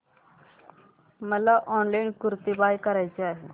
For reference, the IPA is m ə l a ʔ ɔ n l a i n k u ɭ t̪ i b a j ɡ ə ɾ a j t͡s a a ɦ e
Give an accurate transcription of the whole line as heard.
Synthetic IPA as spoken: m ə l a ʔ ɔ n l a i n k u ɾ t̪ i b a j k ə ɾ a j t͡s e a ɦ e